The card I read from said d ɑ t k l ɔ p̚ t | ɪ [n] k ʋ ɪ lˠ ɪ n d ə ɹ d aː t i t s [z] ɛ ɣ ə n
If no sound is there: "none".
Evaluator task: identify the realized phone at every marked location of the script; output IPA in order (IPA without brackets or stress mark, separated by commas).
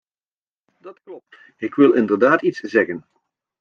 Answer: none, z